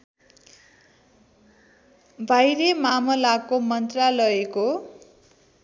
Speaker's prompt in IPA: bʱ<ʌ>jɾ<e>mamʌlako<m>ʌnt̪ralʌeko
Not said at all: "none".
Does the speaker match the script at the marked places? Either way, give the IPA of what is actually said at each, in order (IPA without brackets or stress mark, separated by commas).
a, e, m